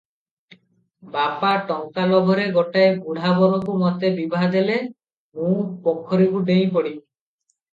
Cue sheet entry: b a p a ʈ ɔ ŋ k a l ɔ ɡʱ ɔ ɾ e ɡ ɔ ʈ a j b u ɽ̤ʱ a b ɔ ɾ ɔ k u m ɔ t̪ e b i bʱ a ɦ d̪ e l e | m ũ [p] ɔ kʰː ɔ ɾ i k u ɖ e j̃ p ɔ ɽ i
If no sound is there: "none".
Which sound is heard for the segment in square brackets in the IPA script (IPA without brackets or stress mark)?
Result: p